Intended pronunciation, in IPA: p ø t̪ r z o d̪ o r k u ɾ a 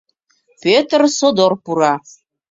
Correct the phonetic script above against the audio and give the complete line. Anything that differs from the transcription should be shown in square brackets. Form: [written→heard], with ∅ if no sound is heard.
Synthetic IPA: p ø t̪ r [z→s] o d̪ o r [k→p] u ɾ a